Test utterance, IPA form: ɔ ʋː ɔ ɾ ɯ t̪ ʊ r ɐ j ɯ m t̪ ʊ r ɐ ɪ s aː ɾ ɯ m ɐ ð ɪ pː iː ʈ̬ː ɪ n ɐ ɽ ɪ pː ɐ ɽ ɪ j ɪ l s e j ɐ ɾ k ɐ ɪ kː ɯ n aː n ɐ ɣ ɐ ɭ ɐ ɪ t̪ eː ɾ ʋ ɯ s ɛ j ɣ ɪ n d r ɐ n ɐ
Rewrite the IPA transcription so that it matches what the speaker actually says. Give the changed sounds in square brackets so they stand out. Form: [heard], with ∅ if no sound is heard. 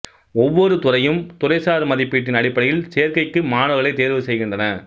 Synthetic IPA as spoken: ɔ ʋː ɔ ɾ ɯ t̪ ʊ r ɐ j ɯ m t̪ ʊ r ɐ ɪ s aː ɾ ɯ m ɐ ð ɪ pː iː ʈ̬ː ɪ n ɐ ɽ ɪ pː ɐ ɽ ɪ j ɪ l s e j ɐ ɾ k ɐ ɪ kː ɯ [m] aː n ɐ ɣ ɐ ɭ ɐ ɪ t̪ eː ɾ ʋ ɯ s ɛ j ɣ ɪ n d r ɐ n ɐ